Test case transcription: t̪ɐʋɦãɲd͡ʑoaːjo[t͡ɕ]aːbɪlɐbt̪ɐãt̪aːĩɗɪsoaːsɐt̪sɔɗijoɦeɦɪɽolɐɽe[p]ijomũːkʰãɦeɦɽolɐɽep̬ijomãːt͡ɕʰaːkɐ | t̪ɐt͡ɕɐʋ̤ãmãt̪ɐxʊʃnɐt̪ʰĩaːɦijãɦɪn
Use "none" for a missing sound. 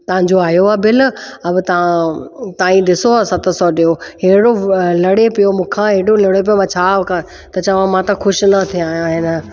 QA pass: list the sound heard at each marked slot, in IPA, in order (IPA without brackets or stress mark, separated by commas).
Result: none, p